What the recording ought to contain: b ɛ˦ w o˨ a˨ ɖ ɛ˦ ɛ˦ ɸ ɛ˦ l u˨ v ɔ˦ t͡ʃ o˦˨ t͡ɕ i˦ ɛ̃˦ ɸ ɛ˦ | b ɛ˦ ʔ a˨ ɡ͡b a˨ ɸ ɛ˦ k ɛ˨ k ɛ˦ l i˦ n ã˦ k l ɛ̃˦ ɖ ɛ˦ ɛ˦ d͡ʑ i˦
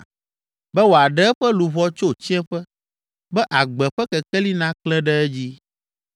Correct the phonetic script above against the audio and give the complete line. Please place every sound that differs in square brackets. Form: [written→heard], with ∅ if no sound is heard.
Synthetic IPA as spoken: b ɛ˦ w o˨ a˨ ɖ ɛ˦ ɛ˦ ɸ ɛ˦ l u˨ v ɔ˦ t͡ʃ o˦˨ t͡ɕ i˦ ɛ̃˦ ɸ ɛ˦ | b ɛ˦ ʔ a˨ ɡ͡b [a˨→ɛ˨] ɸ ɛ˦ k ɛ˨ k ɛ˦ l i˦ n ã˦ k l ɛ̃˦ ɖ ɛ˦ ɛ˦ d͡ʑ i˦